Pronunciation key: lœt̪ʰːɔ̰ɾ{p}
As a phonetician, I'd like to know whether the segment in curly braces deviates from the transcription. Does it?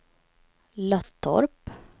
no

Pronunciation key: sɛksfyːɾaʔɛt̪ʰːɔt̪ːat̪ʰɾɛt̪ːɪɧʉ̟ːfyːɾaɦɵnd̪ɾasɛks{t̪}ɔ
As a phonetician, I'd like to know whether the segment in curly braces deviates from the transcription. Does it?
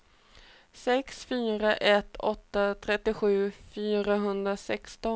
no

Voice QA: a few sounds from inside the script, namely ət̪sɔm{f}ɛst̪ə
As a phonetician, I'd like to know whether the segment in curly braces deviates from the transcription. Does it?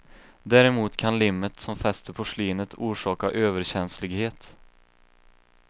no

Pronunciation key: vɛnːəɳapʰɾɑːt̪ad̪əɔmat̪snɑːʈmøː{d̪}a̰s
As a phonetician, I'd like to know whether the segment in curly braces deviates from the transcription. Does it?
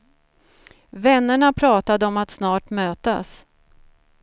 yes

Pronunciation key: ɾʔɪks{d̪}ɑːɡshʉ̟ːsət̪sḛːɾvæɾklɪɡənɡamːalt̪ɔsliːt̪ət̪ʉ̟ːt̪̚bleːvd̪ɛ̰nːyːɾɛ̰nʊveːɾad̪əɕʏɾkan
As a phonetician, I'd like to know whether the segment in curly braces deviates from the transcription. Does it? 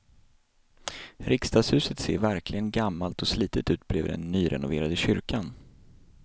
yes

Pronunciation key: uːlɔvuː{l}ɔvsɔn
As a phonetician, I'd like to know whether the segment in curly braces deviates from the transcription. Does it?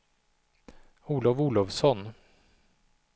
no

